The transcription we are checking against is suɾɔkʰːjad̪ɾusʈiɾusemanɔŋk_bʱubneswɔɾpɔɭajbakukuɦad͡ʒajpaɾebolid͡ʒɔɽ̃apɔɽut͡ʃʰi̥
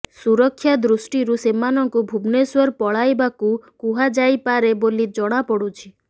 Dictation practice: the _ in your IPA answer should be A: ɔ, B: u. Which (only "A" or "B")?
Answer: B